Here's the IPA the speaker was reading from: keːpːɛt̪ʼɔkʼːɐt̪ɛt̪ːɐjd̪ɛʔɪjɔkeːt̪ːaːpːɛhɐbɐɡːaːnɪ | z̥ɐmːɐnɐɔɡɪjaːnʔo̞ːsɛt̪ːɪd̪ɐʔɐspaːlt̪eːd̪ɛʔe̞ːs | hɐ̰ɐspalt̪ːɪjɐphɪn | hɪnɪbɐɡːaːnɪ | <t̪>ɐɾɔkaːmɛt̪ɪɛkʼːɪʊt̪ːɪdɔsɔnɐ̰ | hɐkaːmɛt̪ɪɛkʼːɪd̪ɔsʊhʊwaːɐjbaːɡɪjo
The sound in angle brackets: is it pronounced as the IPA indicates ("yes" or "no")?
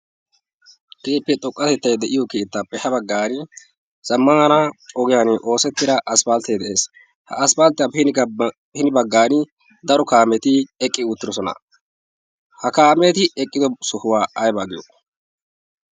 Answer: no